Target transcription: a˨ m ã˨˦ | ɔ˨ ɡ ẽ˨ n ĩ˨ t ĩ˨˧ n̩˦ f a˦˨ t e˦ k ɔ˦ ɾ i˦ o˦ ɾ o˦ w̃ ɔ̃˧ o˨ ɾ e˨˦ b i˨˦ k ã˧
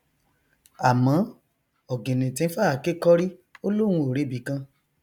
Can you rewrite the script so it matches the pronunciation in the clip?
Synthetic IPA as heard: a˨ m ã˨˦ | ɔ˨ ɡ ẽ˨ n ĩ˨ t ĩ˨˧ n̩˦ f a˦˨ k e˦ k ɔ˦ ɾ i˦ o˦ l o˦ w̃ ũ˧ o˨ ɾ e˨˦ b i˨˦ k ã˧

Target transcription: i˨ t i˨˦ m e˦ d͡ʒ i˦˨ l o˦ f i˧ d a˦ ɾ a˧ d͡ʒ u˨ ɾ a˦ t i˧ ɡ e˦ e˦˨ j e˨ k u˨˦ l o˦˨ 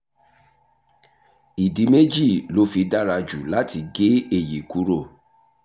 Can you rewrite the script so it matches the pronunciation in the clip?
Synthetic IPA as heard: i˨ d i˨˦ m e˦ d͡ʒ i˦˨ l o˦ f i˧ d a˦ ɾ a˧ d͡ʒ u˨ l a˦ t i˧ ɡ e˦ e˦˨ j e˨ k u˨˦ ɾ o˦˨

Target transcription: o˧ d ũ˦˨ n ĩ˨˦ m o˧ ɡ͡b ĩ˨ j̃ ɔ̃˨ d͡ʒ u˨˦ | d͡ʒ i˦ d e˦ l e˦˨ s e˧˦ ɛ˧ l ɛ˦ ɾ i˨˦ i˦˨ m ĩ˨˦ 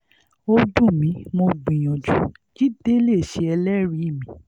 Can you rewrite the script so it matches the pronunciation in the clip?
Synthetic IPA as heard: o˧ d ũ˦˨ m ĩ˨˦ m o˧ ɡ͡b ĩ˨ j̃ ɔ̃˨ d͡ʒ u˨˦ | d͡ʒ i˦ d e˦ l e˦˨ ʃ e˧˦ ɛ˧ l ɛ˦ ɾ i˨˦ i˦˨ m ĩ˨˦

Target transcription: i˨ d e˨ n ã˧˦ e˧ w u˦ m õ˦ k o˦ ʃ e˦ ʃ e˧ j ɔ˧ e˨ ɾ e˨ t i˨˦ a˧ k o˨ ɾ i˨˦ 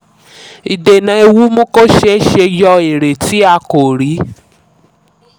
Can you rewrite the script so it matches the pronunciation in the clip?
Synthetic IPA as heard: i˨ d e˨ n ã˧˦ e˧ w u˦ m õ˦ k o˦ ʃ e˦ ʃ e˧ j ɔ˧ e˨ ɾ e˨ t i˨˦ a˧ k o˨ ɾ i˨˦

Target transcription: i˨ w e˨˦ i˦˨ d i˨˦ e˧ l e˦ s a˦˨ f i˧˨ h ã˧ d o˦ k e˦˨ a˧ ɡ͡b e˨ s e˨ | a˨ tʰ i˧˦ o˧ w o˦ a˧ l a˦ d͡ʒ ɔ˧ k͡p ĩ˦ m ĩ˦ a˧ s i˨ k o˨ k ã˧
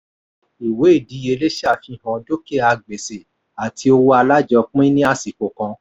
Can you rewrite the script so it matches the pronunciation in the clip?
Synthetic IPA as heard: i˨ w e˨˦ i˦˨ d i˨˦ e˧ l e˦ ʃ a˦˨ f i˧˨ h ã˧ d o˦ k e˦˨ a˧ ɡ͡b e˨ s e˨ | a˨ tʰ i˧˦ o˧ w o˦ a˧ l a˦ d͡ʒ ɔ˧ k͡p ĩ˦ n ĩ˦ a˧ s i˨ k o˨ k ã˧

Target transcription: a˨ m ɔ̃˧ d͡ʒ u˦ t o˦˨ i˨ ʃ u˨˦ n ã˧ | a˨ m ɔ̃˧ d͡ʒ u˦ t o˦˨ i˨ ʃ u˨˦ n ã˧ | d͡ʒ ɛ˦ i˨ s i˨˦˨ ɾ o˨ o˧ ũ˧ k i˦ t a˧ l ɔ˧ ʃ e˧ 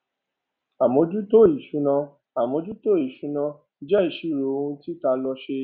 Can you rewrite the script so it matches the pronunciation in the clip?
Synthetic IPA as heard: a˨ m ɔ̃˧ d͡ʒ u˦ t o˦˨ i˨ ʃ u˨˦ n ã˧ | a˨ m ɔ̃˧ d͡ʒ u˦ t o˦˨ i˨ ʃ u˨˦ n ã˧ | d͡ʒ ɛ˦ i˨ ʃ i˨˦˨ ɾ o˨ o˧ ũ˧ t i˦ t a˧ l ɔ˧ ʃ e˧

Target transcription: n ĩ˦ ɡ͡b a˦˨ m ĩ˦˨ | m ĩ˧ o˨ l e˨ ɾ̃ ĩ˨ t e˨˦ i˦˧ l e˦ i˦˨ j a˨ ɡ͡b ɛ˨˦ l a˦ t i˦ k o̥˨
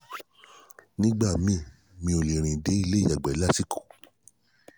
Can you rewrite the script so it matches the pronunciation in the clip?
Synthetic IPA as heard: n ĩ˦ ɡ͡b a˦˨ m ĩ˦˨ | m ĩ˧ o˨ l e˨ ɾ̃ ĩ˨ d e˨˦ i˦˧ l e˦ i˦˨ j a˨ ɡ͡b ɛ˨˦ l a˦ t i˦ k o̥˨

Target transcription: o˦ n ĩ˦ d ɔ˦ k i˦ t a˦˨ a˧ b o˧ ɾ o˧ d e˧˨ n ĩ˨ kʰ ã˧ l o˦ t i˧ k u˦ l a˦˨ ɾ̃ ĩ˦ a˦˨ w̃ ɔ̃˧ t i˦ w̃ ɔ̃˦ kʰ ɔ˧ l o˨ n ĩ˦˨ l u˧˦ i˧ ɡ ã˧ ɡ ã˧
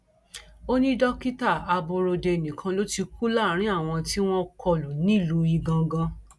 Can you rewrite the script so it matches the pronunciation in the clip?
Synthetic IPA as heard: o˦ n ĩ˦ d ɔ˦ k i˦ t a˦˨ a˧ b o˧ ɾ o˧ d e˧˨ n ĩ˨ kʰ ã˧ l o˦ t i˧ k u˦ l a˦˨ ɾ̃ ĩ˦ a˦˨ w̃ ɔ̃˧ t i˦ w̃ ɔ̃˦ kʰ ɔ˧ l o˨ n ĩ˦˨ l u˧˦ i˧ ɡ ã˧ ɡ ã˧

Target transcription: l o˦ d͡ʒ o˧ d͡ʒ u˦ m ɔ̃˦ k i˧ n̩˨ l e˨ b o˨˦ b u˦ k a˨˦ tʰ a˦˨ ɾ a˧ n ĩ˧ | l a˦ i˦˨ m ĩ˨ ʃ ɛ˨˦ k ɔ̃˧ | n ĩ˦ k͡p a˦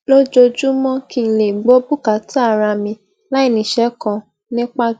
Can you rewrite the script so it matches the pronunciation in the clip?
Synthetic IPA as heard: l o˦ d͡ʒ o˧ d͡ʒ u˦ m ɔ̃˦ k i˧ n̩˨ l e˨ ɡ͡b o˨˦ b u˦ k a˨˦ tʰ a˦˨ ɾ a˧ m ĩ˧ | l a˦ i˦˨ n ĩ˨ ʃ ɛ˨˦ k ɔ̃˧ | n ĩ˦ k͡p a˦

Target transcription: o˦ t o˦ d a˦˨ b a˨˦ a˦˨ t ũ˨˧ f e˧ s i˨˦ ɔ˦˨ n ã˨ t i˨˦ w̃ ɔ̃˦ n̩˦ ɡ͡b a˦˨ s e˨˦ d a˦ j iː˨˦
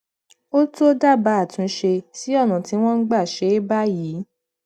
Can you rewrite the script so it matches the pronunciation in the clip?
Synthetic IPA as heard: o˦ t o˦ d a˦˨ b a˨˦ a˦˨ t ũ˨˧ ʃ e˧ s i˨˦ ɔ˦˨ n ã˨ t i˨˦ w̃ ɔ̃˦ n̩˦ ɡ͡b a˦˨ ʃ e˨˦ b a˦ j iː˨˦

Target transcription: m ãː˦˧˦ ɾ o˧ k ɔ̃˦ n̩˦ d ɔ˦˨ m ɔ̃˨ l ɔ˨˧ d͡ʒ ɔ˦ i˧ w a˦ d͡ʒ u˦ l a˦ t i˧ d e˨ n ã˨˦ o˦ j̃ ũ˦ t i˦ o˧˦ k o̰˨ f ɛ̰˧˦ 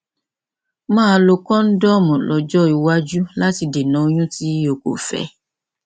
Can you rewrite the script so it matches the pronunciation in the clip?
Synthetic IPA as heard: m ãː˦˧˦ l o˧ k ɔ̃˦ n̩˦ d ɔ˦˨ m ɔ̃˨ l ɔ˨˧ d͡ʒ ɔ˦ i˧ w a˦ d͡ʒ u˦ l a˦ t i˧ d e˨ n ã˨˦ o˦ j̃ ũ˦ t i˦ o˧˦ k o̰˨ f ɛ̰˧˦

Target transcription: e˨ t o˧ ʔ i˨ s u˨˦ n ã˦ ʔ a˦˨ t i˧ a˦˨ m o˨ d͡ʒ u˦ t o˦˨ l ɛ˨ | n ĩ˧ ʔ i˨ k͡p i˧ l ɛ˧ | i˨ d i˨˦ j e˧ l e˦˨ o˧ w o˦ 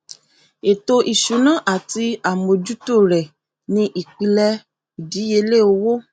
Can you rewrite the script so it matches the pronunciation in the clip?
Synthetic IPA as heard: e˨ t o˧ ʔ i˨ ʃ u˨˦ n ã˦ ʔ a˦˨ t i˧ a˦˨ m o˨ d͡ʒ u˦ t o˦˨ ɾ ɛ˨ | n ĩ˧ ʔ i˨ k͡p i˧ l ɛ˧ | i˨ d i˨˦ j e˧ l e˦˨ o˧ w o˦

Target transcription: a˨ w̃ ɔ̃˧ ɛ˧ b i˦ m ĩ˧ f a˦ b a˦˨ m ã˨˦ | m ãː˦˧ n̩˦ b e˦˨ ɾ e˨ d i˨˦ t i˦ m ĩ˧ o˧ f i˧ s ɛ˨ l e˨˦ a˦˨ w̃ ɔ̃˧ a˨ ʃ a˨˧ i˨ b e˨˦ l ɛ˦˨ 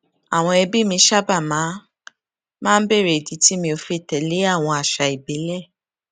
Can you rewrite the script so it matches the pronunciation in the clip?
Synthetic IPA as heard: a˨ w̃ ɔ̃˧ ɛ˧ b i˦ m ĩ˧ ʃ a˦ b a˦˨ m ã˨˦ | m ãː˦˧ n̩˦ b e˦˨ ɾ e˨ d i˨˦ t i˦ m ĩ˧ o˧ f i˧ t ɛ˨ l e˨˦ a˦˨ w̃ ɔ̃˧ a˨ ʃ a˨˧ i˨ b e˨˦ l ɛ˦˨

